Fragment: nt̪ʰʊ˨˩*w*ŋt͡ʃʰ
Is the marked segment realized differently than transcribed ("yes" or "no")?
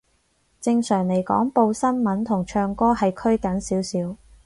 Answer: yes